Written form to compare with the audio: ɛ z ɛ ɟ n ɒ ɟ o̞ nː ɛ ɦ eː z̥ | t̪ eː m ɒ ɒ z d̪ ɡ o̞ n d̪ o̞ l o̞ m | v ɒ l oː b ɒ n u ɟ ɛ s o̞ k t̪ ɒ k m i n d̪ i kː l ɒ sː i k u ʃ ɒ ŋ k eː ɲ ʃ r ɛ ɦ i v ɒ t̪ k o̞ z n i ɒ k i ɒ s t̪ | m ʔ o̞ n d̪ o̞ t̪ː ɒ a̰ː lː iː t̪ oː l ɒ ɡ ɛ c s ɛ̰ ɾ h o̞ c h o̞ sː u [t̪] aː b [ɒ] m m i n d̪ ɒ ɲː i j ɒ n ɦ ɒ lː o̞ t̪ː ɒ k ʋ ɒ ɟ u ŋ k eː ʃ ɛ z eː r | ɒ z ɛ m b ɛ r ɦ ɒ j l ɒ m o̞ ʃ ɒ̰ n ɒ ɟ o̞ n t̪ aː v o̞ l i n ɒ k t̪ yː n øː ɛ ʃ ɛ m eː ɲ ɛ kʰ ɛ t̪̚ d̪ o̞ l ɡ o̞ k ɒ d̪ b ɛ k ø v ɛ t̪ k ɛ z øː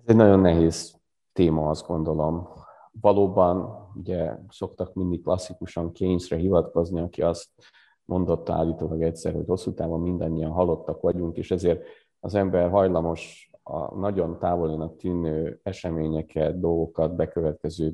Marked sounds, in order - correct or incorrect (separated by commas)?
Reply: correct, incorrect